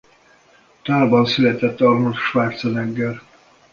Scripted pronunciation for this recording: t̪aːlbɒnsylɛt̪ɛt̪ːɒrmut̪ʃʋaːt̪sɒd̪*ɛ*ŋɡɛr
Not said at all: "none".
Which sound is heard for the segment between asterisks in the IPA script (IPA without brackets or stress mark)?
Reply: ɛ